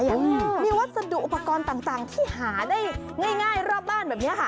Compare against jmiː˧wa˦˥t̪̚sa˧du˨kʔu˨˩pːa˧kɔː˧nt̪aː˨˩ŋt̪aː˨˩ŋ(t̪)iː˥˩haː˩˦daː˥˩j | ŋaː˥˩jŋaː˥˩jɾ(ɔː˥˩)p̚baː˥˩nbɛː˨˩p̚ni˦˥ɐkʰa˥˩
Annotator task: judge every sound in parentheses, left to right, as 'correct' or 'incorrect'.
incorrect: t̪ʰ, correct

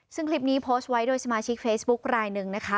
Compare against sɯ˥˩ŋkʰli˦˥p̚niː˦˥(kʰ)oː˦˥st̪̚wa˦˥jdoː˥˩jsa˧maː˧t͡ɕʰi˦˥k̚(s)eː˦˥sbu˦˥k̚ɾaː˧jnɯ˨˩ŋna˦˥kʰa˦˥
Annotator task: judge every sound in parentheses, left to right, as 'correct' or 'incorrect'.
incorrect: pʰ, incorrect: f

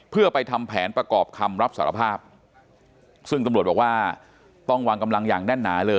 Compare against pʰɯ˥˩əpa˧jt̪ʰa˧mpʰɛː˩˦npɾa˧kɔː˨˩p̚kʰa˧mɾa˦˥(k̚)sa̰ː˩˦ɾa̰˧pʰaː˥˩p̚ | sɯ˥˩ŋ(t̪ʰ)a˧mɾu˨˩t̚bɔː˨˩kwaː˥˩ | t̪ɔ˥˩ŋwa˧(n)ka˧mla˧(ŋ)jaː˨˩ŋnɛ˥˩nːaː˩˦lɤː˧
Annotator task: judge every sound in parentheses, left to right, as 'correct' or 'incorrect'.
incorrect: p̚, incorrect: t̪, incorrect: ŋ, correct

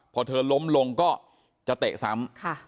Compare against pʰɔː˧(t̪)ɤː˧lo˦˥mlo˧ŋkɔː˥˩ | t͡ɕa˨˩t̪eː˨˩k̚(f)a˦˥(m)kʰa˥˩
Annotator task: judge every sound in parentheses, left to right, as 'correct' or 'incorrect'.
incorrect: t̪ʰ, incorrect: s, correct

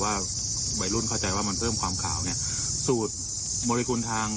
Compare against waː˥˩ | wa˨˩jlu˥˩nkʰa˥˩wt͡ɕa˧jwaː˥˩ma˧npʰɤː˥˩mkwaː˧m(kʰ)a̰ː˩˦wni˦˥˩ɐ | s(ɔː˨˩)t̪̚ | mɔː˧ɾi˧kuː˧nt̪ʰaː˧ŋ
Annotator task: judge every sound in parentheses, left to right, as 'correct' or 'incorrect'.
correct, incorrect: uː˨˩

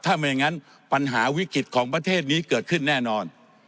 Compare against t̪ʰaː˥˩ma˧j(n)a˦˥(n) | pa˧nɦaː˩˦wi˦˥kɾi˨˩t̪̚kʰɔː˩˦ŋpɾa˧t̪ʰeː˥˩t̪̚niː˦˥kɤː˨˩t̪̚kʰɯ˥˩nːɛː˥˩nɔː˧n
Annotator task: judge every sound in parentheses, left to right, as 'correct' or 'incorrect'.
incorrect: ŋ, correct

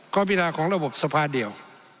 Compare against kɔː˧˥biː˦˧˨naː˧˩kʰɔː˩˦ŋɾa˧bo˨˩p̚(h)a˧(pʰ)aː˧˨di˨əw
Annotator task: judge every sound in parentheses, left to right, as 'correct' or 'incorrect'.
incorrect: s, correct

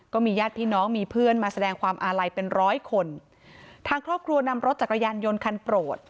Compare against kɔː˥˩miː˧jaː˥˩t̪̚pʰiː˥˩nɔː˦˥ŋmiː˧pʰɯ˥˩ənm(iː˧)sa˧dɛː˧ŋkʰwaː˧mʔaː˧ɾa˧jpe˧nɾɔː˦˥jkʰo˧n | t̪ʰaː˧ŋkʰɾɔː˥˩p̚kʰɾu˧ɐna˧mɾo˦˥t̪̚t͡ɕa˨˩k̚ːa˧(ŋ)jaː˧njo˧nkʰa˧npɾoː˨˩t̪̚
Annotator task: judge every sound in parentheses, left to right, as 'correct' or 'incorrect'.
incorrect: aː˧, incorrect: none

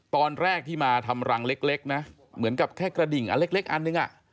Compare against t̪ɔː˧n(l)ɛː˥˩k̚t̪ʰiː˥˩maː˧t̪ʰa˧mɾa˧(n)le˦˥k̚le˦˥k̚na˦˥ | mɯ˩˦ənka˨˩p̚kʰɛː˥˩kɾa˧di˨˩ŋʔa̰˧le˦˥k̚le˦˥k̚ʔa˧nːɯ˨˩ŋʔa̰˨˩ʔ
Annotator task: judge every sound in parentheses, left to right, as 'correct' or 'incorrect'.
incorrect: ɾ, incorrect: ŋ

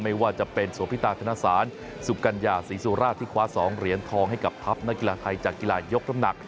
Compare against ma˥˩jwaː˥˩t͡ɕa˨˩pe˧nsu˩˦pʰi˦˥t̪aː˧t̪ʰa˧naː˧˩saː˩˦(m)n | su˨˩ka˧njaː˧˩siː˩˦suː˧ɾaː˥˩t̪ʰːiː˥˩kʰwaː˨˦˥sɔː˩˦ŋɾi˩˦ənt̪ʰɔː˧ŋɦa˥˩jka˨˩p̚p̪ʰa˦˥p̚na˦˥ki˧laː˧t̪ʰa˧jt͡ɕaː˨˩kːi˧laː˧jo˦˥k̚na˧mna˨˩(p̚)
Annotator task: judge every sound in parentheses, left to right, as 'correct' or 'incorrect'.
incorrect: none, incorrect: k̚

